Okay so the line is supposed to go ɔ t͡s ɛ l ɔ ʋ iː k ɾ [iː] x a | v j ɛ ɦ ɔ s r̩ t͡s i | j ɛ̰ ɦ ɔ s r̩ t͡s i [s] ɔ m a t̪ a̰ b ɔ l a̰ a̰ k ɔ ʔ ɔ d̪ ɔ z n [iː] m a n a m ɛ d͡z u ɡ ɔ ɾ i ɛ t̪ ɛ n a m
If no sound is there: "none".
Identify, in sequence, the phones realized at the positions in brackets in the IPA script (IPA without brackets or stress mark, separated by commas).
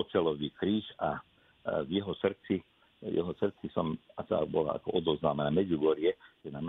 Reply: iː, s, aː